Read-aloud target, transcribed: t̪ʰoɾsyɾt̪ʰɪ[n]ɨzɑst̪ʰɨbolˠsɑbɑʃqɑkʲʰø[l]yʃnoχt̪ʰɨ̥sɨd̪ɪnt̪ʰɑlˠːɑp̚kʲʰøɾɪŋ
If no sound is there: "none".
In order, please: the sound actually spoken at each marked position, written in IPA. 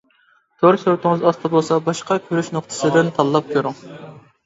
ŋ, ɾ

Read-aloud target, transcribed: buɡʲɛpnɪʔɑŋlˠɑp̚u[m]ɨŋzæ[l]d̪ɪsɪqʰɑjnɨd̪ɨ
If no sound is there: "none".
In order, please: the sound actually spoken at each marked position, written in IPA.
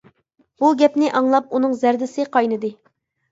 n, ɾ

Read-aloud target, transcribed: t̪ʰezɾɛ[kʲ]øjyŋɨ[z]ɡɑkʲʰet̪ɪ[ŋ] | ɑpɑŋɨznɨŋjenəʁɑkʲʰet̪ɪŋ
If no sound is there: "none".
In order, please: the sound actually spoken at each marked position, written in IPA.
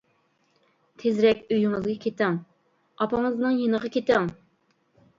kʲ, z, ŋ

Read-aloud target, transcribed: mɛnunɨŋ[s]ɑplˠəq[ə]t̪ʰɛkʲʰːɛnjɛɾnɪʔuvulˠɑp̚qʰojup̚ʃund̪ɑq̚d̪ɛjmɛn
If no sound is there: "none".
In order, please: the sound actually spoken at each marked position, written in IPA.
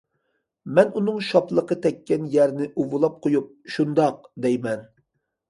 ʃ, ə

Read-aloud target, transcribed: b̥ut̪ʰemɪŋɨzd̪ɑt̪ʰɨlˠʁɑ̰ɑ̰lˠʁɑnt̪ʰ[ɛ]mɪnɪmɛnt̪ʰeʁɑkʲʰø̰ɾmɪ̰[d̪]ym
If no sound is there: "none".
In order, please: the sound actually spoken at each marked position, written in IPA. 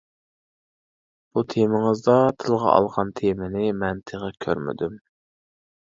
e, d̪

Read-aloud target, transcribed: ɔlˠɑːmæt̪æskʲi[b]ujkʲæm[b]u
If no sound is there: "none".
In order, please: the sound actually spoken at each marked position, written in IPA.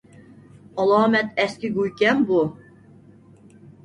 ɡ, b

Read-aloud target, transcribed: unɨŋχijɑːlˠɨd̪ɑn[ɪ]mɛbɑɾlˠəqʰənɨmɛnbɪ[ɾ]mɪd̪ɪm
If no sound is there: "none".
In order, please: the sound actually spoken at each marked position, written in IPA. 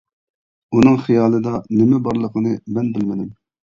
ɪ, l

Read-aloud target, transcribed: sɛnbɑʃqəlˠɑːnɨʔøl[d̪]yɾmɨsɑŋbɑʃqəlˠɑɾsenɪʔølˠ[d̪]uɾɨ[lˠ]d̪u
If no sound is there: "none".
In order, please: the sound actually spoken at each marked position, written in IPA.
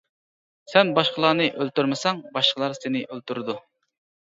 t̪, t̪, none

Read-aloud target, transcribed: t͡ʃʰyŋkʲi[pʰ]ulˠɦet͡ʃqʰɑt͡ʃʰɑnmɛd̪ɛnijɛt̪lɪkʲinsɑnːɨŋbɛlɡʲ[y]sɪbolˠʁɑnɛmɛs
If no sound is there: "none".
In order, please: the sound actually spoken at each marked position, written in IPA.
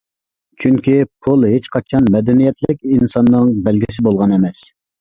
pʰ, i

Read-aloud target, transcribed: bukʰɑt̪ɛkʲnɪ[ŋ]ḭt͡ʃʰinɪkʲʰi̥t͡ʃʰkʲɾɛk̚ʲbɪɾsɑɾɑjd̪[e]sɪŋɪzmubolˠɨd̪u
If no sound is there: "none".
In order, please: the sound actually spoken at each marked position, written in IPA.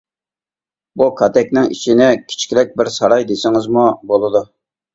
ŋ, e

